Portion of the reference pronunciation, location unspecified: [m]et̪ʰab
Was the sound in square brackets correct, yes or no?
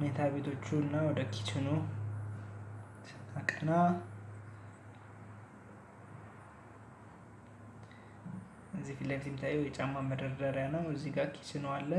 yes